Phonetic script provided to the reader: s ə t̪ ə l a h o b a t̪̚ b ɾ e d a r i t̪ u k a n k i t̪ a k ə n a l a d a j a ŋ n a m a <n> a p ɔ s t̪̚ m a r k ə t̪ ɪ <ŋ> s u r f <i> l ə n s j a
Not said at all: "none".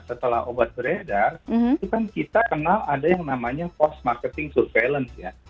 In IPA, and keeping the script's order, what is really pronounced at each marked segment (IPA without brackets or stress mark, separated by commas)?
ɲ, ŋ, e